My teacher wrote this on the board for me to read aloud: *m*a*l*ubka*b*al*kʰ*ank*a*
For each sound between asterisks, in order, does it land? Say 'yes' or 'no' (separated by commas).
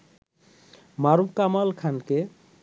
yes, no, no, yes, no